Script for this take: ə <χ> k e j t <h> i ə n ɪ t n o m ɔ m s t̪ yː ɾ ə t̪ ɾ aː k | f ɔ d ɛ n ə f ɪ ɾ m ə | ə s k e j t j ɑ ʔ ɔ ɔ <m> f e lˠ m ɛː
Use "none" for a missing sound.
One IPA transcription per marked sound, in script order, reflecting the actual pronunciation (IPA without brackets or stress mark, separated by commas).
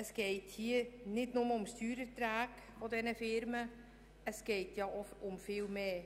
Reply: s, h, m